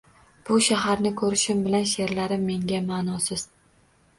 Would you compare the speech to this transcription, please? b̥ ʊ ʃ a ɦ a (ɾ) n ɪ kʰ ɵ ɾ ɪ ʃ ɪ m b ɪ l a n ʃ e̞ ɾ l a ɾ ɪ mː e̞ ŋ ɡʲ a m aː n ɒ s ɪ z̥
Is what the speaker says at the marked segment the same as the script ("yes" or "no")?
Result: yes